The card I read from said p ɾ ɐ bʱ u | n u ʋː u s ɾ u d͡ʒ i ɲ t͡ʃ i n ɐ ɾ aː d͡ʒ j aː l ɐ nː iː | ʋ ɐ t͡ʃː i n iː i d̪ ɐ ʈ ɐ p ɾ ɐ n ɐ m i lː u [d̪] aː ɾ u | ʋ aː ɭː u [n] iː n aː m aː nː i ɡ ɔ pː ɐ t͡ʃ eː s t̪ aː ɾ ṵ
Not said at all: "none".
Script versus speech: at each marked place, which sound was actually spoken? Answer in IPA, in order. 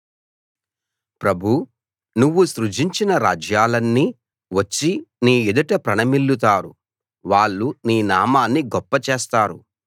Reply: t̪, n

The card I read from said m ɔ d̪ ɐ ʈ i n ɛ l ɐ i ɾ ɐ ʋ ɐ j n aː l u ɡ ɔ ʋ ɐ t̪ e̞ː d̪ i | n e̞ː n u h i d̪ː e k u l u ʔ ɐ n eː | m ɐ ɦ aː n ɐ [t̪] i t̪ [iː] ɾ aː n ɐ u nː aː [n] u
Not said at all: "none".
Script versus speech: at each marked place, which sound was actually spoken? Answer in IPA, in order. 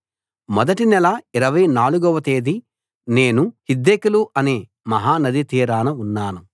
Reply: d̪, iː, n

